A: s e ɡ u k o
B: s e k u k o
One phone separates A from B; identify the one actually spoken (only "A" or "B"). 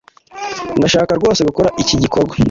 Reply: A